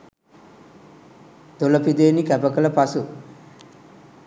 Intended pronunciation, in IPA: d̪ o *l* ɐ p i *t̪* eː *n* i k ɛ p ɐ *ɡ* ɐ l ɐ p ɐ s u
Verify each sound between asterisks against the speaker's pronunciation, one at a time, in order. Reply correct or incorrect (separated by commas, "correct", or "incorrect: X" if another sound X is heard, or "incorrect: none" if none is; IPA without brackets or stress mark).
correct, incorrect: d̪, correct, incorrect: k